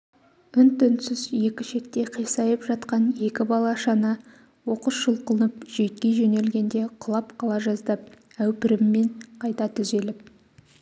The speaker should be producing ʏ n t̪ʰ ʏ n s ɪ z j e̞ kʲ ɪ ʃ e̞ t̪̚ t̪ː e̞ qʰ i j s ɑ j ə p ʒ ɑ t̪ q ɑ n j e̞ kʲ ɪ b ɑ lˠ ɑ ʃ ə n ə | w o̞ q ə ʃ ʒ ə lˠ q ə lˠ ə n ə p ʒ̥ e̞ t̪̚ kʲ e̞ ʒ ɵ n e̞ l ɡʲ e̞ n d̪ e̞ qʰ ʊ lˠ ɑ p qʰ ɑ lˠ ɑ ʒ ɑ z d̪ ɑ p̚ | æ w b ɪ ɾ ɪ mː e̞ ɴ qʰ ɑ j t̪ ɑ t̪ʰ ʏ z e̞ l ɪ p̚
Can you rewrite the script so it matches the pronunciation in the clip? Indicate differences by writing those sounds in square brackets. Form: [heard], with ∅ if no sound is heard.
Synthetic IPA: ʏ n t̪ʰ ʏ n s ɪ z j e̞ kʲ ɪ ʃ e̞ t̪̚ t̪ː e̞ qʰ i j s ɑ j ə p ʒ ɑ t̪ q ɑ n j e̞ kʲ ɪ b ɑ lˠ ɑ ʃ [ɑ] n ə | w o̞ q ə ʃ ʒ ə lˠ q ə lˠ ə n ə p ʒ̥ e̞ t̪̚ kʲ e̞ ʒ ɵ n e̞ l ɡʲ e̞ n d̪ e̞ qʰ ʊ lˠ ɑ p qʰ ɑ lˠ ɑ ʒ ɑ z d̪ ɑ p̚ | æ w [p] ɪ ɾ ɪ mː e̞ ɴ qʰ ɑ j t̪ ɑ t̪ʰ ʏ z e̞ l ɪ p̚